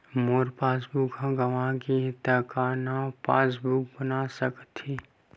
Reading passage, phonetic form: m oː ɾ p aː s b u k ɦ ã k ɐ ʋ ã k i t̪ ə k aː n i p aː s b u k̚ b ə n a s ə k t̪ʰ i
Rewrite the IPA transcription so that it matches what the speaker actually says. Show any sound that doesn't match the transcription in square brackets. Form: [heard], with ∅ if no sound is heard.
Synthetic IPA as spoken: m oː ɾ p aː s b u k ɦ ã [ɡ] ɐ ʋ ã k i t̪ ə k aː n [a] p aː s b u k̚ b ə n a s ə k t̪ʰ i